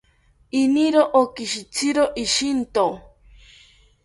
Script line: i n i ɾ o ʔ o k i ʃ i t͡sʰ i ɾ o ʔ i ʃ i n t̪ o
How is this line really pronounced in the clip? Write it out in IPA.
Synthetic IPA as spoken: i n i ɾ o ʔ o k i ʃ i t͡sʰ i ɾ o ʔ i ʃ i n t̪ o